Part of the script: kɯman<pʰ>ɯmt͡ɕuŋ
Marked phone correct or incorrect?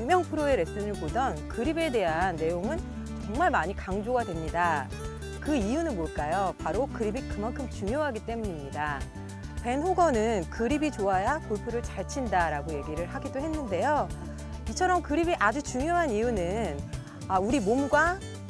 incorrect